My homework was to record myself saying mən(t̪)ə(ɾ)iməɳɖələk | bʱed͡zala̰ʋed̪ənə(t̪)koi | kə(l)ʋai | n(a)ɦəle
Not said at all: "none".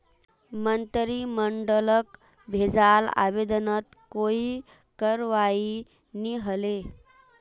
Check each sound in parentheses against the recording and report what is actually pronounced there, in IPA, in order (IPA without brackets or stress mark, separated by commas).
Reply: t̪, ɾ, t̪, ɾ, i